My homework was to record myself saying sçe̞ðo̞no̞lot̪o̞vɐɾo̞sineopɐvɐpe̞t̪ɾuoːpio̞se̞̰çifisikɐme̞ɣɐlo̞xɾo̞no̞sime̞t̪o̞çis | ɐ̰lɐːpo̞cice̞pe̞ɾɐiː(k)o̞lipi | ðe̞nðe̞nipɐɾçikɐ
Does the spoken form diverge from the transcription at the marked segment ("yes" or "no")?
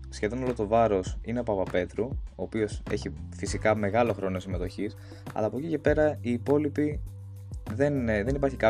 yes